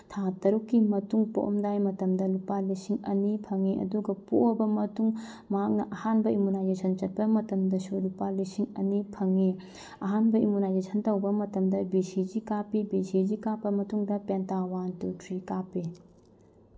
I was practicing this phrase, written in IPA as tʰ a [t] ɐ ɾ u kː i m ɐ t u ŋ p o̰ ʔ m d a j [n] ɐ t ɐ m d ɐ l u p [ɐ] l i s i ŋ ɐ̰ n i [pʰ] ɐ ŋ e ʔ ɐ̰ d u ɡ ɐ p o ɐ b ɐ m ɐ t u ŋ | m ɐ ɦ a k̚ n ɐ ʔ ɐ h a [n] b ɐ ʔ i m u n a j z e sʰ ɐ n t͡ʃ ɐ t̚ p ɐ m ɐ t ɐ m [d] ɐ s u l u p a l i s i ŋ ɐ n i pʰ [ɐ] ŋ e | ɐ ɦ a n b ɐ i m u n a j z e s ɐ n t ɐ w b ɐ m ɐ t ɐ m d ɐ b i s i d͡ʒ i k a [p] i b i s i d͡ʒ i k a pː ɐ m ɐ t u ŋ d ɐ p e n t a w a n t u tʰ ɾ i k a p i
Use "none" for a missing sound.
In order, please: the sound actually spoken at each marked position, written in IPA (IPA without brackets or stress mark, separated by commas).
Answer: t, m, a, pʰ, n, d, ɐ, p